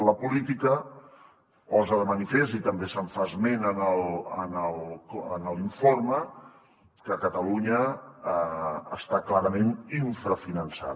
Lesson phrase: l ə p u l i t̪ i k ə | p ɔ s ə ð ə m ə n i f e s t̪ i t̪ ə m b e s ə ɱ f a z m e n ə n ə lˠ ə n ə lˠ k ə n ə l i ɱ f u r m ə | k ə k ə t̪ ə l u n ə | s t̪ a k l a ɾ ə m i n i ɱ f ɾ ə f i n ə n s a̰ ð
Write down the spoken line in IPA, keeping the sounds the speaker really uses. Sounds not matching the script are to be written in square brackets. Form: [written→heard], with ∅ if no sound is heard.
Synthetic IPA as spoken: l ə p u l i t̪ i k ə | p ɔ [s→z] ə ð ə m ə n i f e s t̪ i t̪ ə m b e s ə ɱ f a z m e n ə n ə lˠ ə n ə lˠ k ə n ə l i ɱ f [u→o] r m ə | k ə k ə t̪ ə l u [n→ɲ] ə | s t̪ a k l a ɾ ə m [i→e] n i ɱ f ɾ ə f i n ə n s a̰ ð